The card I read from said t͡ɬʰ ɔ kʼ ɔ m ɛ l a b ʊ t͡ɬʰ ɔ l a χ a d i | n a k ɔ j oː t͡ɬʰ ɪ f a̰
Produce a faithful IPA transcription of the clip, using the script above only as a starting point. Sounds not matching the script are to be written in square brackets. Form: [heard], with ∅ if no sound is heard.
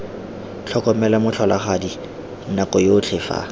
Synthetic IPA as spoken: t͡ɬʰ ɔ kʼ ɔ m ɛ l a [m] ʊ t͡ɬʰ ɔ l a χ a d i | n a k ɔ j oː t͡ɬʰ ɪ f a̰